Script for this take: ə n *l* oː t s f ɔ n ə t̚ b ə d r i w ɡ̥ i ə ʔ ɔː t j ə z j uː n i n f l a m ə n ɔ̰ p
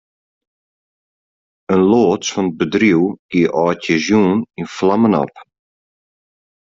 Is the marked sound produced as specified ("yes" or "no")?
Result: yes